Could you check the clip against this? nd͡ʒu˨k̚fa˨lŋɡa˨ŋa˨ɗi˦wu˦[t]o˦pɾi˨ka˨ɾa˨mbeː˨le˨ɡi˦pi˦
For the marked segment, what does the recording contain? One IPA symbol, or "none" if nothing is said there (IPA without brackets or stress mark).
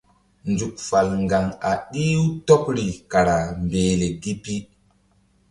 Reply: t